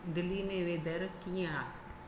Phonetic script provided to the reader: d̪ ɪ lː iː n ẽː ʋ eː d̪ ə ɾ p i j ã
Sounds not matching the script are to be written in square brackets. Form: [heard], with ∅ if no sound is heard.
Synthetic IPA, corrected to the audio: d̪ ɪ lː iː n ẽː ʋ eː d̪ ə ɾ [k] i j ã